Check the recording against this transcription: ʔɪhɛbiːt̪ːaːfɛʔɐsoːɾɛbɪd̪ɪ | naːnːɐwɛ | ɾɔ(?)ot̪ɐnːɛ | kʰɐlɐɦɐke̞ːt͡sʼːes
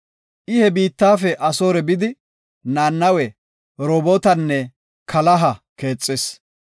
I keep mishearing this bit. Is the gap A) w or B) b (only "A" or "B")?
B